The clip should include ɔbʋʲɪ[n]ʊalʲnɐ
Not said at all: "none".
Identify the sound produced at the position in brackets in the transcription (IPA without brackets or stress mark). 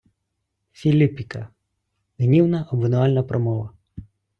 n